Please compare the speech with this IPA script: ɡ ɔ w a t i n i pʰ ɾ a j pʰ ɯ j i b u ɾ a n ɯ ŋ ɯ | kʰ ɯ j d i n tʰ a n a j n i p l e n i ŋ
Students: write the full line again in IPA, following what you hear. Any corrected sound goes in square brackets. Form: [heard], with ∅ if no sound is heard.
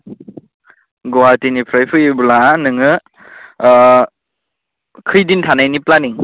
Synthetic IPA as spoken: ɡ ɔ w a t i n i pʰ ɾ a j pʰ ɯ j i b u [l] a n ɯ ŋ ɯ | kʰ ɯ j d i n tʰ a n a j n i p l [a] n i ŋ